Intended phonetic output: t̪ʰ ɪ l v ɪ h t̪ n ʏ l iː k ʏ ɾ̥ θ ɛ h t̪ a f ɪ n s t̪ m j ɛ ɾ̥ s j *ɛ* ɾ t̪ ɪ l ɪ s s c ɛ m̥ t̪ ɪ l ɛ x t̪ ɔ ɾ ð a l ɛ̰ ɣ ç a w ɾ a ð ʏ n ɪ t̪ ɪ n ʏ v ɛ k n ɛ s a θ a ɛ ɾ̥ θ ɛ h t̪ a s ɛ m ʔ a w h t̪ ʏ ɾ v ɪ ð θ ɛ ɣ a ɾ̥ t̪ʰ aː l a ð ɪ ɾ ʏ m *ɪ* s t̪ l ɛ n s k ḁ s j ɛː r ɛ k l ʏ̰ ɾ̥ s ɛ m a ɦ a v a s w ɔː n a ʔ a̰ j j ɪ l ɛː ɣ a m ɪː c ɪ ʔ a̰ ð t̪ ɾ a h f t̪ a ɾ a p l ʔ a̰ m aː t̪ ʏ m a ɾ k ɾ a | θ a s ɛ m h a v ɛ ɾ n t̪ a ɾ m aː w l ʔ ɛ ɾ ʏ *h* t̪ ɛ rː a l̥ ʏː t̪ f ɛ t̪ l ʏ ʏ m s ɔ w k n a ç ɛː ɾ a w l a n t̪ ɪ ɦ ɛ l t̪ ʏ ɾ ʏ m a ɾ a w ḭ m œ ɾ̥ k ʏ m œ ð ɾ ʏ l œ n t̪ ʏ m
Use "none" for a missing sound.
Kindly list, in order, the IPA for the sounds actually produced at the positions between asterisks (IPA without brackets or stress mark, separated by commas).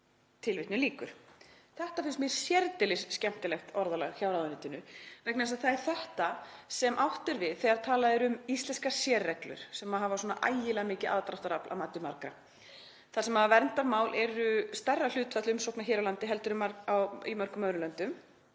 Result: ɛ, i, s